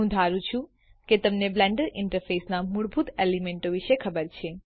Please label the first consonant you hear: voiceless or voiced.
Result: voiced